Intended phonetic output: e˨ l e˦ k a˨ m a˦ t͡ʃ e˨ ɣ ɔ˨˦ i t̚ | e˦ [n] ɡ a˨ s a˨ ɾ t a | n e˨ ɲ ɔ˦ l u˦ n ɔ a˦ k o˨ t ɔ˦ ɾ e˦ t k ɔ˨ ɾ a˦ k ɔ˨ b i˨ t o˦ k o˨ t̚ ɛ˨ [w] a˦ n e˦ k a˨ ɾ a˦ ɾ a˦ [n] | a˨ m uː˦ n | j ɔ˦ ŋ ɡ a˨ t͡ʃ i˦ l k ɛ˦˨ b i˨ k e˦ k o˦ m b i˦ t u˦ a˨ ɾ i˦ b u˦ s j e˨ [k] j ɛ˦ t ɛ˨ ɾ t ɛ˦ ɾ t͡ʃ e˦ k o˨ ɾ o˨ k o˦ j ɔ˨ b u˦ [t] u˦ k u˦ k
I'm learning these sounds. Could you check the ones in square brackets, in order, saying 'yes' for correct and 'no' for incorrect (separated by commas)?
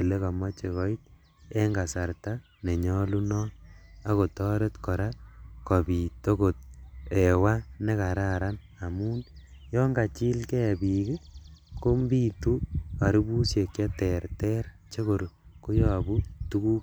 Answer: no, yes, yes, yes, yes